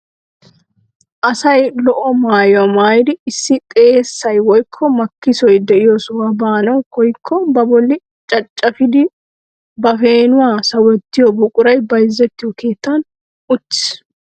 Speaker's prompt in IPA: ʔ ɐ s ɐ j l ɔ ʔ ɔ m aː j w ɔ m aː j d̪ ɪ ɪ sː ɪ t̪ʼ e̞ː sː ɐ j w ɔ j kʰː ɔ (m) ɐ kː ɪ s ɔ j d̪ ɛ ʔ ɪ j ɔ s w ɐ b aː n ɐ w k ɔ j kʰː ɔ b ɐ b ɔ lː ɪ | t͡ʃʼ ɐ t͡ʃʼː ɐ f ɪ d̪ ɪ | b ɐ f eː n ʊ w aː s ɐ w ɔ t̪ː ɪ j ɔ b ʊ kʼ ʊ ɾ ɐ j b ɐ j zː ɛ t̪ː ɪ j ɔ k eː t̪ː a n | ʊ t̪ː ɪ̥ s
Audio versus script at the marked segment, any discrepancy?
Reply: no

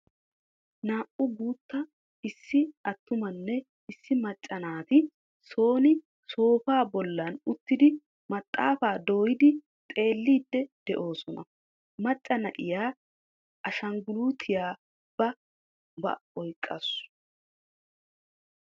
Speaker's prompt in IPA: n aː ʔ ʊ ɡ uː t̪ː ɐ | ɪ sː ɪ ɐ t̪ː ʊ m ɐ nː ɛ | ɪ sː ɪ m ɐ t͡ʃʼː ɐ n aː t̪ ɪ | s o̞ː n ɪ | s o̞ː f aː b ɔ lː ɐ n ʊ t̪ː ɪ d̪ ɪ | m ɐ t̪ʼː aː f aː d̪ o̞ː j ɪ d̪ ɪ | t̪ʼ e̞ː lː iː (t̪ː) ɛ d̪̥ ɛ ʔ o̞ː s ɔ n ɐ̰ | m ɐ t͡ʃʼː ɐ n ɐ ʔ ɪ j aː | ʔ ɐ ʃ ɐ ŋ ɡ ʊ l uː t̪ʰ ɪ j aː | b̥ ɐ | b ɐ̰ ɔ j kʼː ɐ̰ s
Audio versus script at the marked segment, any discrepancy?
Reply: yes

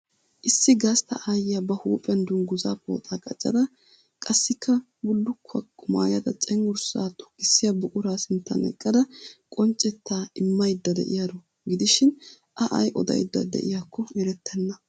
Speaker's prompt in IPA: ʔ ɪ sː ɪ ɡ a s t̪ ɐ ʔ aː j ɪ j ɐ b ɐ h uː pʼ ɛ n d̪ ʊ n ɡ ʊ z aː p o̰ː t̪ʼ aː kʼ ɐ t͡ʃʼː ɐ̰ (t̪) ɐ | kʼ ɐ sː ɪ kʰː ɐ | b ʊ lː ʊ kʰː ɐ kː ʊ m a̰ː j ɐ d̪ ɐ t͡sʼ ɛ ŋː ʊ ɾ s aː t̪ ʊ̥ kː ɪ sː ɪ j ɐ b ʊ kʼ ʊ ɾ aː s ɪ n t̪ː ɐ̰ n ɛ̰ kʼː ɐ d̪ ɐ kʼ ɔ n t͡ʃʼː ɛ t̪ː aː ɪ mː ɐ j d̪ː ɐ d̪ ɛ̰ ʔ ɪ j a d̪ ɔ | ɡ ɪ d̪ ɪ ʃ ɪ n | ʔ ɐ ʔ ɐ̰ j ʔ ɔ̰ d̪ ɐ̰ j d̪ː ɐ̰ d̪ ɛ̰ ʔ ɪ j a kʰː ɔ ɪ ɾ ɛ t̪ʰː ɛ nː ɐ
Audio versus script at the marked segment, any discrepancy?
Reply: yes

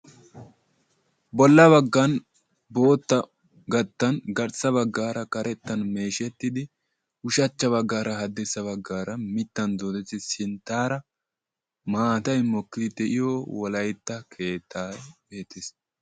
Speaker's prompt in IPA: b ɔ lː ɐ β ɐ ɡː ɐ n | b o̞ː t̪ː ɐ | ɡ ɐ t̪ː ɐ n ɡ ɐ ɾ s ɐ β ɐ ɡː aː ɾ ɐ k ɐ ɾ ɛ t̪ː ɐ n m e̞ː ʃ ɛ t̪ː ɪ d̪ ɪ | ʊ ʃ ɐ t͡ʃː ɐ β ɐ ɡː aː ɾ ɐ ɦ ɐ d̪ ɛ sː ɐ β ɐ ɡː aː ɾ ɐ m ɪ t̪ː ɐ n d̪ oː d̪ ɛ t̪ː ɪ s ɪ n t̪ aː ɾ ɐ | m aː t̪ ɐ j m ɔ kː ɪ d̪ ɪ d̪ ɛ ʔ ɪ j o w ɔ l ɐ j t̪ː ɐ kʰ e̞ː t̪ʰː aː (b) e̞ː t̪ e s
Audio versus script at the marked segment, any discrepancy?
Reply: no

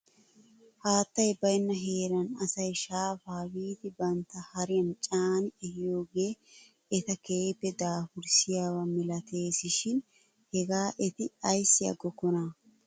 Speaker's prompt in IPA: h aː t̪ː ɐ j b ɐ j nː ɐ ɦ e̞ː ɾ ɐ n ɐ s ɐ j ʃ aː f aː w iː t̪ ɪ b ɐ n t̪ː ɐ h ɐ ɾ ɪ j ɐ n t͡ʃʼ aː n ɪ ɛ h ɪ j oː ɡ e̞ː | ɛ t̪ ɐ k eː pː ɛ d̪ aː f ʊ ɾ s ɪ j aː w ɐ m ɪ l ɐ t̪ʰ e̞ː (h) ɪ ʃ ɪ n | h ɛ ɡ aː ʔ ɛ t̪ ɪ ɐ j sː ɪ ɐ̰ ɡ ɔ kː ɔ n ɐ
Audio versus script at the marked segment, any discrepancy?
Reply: yes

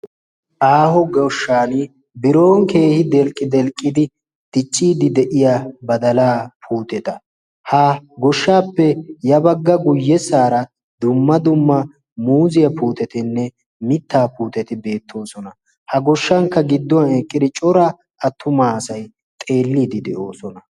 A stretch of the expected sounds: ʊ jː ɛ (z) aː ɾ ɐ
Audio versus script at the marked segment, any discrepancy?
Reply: yes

